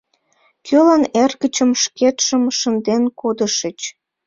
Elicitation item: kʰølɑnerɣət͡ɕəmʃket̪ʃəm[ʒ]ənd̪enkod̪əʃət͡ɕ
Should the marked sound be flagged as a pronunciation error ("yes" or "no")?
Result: yes